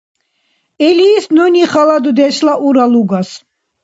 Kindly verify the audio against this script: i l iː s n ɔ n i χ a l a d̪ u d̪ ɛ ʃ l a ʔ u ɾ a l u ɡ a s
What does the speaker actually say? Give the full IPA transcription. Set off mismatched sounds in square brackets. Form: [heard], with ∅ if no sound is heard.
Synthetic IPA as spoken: [ɛ] l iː s n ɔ n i χ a l a d̪ u d̪ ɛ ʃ l a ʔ u ɾ a l u ɡ a s